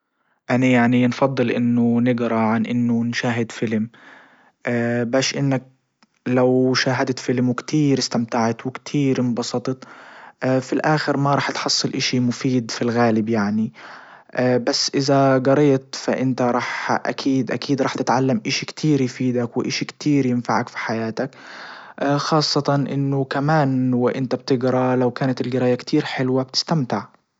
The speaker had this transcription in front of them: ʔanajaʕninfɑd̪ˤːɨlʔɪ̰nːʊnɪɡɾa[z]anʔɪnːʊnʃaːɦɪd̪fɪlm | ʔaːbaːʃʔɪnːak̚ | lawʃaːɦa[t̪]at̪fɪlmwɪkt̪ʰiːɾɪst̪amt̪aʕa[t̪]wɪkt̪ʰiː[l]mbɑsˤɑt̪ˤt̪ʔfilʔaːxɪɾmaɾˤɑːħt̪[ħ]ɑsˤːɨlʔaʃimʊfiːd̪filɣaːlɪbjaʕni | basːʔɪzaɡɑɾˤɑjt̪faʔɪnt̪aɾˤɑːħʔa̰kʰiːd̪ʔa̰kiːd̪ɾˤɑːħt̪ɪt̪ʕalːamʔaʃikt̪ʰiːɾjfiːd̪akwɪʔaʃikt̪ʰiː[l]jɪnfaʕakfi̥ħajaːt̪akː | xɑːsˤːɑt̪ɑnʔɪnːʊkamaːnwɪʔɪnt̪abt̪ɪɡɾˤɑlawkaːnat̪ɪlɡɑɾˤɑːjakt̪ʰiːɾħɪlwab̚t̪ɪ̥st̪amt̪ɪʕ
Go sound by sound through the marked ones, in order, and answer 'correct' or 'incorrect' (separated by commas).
incorrect, incorrect, correct, incorrect, correct, incorrect